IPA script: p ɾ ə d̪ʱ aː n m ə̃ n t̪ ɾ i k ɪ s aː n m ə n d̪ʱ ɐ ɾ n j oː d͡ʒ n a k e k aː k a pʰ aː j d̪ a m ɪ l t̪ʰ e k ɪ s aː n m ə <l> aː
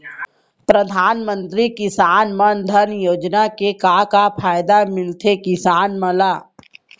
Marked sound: correct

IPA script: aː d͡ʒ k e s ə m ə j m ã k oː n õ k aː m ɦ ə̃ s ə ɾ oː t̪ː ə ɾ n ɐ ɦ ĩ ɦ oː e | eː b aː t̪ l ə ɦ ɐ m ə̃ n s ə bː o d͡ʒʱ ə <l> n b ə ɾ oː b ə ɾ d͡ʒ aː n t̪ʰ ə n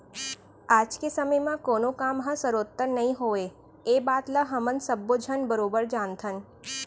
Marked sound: incorrect: none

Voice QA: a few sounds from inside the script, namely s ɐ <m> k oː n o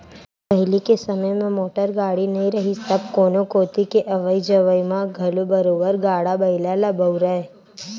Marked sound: incorrect: b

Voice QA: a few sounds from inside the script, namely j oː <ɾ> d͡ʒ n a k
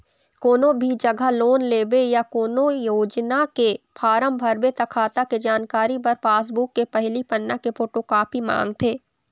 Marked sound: incorrect: none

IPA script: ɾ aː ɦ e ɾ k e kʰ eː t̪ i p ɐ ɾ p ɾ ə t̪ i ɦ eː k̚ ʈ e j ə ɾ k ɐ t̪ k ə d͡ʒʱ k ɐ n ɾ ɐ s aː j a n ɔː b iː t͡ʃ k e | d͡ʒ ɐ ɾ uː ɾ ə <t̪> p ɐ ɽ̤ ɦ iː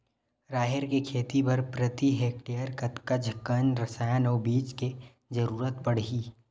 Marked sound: correct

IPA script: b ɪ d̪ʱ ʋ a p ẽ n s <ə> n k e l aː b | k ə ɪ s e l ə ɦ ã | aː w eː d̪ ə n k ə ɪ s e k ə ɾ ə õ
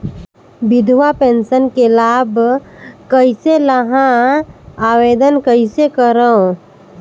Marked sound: correct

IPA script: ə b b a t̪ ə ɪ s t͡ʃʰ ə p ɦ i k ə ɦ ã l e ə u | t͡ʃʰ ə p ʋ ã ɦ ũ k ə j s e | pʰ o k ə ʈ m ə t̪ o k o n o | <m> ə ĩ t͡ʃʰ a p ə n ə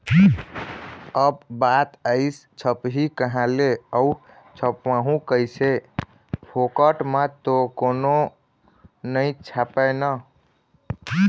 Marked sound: incorrect: n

